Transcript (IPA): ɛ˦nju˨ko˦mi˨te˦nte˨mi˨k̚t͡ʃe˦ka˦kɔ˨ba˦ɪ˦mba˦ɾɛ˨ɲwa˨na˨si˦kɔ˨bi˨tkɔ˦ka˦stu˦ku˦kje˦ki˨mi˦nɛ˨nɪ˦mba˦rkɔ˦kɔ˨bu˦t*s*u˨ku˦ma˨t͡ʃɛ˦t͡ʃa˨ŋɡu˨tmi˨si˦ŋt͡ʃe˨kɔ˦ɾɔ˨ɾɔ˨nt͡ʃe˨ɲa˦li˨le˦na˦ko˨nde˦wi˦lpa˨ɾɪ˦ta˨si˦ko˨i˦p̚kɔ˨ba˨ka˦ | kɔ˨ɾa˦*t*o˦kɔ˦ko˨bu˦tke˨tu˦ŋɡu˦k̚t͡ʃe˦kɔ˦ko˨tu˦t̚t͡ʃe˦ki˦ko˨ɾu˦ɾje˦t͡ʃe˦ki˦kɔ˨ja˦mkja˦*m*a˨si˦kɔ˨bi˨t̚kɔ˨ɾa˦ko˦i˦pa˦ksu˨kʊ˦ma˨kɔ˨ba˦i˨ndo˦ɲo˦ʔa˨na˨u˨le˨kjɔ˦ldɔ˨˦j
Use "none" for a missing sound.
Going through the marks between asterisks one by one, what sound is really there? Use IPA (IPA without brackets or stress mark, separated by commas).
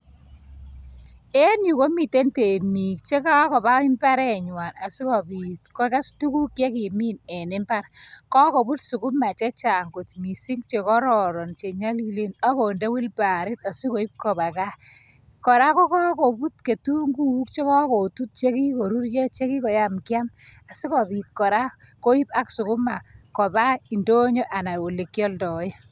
s, k, m